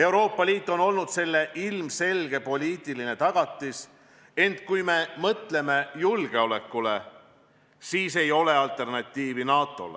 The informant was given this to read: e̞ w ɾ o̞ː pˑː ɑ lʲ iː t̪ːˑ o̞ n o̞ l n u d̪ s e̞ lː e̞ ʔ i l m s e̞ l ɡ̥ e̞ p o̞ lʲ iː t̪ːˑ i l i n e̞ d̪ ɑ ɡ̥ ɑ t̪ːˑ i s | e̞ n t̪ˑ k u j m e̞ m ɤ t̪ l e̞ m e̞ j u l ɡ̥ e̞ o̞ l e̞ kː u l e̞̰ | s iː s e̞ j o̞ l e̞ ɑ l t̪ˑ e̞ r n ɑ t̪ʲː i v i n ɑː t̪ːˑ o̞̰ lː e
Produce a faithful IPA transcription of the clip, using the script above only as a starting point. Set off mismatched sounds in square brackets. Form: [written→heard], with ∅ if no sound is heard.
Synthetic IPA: e̞ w ɾ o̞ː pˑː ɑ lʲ iː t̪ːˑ o̞ n o̞ l n u d̪ s e̞ lː e̞ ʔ i l m s e̞ l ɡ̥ e̞ p o̞ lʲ iː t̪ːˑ i l i n e̞ [d̪→t̪] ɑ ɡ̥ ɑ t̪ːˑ i s | e̞ n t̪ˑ k u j m e̞ m ɤ t̪ l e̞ m e̞ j u l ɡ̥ e̞ o̞ l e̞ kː u l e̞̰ | s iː s e̞ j o̞ l e̞ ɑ l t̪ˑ e̞ r n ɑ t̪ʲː [i→iː] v i n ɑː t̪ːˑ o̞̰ [lː→l] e